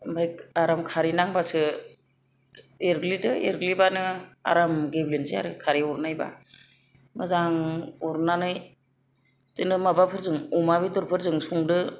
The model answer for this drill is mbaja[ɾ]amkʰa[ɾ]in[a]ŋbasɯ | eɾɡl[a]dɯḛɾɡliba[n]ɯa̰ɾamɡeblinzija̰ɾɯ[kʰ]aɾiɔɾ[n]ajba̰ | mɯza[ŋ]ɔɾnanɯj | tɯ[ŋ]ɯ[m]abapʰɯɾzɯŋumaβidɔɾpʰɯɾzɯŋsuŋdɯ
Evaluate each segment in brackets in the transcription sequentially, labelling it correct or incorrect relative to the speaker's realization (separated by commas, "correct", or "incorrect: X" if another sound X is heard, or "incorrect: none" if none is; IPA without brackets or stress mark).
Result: correct, correct, correct, incorrect: i, correct, correct, correct, correct, incorrect: n, correct